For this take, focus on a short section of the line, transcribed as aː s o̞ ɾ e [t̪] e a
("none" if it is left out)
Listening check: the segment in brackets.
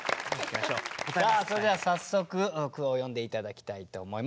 d̪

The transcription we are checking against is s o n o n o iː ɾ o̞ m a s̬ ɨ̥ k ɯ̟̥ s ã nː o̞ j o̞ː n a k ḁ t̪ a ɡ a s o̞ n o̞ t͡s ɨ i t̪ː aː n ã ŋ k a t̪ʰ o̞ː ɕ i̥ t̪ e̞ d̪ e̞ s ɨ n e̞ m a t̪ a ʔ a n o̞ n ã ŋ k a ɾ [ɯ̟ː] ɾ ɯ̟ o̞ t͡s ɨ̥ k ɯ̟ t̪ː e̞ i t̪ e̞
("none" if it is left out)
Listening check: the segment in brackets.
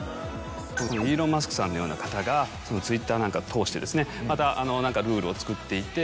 ɯ̟ː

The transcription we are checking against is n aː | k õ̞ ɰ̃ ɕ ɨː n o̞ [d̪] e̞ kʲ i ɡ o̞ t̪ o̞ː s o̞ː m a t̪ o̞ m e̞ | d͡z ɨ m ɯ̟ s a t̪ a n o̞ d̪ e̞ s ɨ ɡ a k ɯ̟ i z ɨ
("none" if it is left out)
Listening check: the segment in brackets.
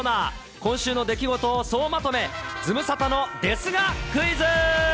d̪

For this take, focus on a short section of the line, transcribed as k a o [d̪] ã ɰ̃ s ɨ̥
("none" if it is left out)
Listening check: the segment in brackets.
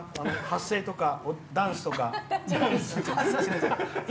d̪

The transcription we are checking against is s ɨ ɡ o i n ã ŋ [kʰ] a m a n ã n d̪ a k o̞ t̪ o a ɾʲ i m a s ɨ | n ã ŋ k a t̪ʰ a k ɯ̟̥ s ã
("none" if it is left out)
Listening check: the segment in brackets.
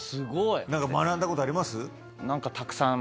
k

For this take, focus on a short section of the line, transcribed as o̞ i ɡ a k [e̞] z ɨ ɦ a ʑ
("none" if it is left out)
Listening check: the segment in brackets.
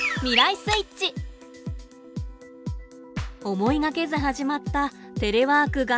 e̞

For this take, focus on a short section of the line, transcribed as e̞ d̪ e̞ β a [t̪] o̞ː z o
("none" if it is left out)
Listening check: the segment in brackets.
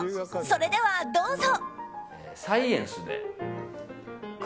d̪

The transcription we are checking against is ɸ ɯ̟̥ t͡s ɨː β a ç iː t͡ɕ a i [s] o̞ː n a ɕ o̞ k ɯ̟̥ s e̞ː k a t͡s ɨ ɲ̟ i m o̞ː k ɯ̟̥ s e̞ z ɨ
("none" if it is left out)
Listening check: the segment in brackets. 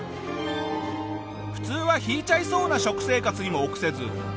s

